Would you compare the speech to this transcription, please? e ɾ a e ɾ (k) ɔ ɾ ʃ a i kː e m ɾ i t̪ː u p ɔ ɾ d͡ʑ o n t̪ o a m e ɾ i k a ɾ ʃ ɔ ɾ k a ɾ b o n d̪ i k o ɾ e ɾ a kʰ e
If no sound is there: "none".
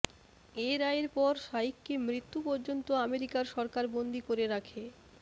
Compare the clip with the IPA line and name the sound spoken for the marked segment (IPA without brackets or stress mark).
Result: p